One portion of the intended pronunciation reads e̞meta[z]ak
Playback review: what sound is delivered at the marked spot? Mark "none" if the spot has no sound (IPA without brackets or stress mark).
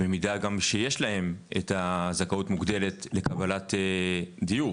z